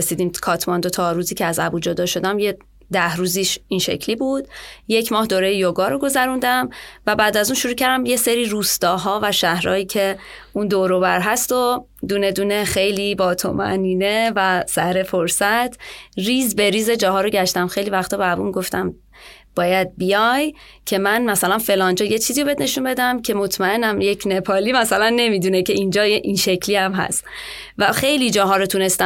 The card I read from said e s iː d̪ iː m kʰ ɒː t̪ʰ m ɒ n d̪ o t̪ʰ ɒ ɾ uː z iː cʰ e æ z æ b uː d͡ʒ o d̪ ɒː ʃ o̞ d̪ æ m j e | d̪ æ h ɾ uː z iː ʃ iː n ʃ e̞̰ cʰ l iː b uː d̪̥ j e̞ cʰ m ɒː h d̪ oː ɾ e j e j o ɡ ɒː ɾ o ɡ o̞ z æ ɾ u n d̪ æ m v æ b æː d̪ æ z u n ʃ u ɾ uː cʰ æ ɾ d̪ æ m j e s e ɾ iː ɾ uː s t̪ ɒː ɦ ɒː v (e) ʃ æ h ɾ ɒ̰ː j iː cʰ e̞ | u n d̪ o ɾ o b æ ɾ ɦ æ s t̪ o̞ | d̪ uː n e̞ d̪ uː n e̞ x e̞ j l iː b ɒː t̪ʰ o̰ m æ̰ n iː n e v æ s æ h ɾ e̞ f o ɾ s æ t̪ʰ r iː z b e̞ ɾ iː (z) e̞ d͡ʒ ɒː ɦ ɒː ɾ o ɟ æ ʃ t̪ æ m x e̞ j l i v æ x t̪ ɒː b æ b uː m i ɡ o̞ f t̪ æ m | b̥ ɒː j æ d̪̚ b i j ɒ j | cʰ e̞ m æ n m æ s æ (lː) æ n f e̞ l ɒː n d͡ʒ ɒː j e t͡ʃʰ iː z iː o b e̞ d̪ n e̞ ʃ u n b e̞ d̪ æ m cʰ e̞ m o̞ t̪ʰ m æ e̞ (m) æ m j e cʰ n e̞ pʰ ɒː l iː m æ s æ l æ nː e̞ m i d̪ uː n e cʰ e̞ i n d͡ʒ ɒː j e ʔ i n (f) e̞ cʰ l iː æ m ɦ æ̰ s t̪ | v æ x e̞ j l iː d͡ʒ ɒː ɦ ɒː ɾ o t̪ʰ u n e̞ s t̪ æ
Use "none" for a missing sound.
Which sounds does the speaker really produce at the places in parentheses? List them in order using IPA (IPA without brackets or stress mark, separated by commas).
æ, z, l, n, ʃ